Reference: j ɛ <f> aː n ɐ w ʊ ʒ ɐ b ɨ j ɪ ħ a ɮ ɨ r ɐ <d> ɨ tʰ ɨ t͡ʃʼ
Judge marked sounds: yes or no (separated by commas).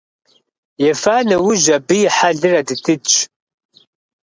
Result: yes, yes